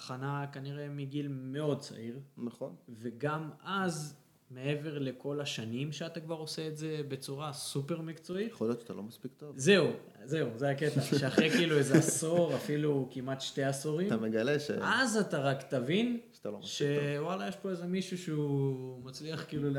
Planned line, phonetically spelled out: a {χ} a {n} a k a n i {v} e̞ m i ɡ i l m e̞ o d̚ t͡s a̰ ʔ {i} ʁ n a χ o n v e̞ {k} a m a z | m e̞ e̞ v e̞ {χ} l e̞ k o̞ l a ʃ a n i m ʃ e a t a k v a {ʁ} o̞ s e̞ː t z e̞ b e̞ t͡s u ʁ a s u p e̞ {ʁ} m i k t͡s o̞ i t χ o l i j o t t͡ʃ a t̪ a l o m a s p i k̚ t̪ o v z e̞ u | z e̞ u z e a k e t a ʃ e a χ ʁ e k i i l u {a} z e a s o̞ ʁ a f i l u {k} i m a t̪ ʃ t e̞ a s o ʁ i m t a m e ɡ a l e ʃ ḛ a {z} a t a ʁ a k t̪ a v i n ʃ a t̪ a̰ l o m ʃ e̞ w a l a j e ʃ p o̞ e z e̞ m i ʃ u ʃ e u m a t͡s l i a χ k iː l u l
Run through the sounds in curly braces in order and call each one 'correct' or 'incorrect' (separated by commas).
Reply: correct, correct, incorrect, correct, incorrect, incorrect, correct, correct, incorrect, correct, correct